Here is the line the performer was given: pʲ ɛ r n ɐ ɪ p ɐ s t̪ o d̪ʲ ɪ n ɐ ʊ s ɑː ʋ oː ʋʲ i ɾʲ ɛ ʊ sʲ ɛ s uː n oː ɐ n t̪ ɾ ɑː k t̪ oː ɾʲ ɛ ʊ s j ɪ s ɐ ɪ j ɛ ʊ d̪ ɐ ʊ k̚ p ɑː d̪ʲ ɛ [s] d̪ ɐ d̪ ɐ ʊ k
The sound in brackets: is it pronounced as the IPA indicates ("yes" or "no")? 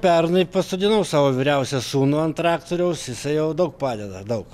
no